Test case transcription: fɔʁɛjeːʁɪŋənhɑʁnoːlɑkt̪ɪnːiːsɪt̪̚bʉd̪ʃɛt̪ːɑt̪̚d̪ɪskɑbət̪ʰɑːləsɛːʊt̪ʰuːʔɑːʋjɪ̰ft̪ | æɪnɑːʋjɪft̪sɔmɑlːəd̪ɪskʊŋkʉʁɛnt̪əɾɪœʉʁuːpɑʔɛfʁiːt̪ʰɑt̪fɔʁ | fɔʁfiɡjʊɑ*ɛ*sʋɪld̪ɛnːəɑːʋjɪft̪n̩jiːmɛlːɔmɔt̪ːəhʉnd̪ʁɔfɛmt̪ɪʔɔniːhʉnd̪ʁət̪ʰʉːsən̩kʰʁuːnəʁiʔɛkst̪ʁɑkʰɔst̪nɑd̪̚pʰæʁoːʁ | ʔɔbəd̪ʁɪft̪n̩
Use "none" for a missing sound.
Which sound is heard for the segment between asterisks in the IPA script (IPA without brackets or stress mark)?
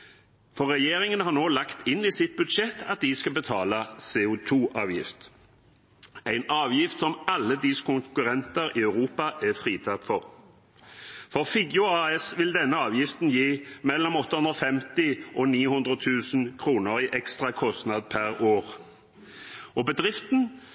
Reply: ɛ